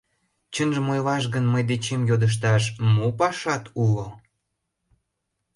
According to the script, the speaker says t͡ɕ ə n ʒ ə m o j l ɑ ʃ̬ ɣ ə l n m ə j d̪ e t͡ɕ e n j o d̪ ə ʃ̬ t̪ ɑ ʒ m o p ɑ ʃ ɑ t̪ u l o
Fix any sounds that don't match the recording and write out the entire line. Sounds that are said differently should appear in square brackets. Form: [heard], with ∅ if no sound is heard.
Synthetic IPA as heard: t͡ɕ ə n ʒ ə m o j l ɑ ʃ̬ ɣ ə [∅] n m ə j d̪ e t͡ɕ e [m] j o d̪ ə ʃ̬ t̪ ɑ [ʃ] m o p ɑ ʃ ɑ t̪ u l o